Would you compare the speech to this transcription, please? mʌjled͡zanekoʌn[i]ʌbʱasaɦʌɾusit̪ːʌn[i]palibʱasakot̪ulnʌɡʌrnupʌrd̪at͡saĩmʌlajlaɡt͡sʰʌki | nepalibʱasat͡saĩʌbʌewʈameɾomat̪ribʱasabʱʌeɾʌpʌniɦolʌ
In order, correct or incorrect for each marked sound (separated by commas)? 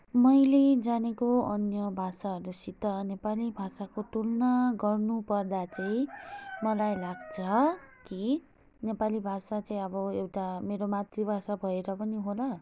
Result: incorrect, incorrect